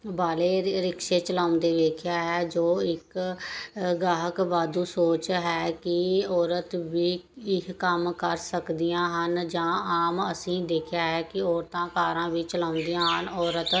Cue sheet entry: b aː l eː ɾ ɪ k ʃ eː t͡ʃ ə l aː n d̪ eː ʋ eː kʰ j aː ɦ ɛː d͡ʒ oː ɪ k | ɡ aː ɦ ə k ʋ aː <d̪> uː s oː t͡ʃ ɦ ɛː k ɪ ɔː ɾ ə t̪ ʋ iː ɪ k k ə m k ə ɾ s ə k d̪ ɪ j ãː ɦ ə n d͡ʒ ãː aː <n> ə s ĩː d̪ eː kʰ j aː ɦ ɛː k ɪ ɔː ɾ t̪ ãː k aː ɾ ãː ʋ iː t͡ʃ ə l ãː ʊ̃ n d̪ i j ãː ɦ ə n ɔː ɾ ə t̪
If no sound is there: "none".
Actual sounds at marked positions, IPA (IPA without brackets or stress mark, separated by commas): d̪, m